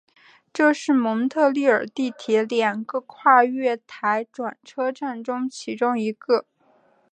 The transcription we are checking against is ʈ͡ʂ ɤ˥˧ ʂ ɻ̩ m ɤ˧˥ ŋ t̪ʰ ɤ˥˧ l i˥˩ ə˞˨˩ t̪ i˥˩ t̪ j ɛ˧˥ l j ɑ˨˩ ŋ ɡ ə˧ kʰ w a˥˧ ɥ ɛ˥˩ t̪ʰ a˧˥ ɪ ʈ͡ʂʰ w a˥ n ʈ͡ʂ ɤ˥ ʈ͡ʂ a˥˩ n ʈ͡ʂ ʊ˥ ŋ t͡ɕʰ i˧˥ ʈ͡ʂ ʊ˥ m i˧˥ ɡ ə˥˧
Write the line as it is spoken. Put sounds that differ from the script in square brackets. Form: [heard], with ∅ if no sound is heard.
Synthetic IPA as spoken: ʈ͡ʂ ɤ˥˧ ʂ ɻ̩ m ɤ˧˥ ŋ t̪ʰ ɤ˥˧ l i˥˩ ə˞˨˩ t̪ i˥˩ [t̪ʰ] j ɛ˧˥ l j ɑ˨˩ ŋ ɡ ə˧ kʰ w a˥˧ ɥ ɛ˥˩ t̪ʰ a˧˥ ɪ [ʈ͡ʂ] w [a˨˩] n [ʈ͡ʂʰ] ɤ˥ ʈ͡ʂ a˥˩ n ʈ͡ʂ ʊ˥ ŋ t͡ɕʰ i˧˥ ʈ͡ʂ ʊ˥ [ŋ] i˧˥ ɡ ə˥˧